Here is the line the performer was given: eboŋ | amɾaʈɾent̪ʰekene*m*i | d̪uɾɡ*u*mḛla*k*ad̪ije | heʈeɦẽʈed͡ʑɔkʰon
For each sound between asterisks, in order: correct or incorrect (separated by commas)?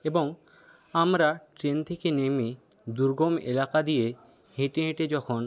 correct, incorrect, correct